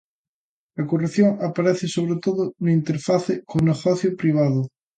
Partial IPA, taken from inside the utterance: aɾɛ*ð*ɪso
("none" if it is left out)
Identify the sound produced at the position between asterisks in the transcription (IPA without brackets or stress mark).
θ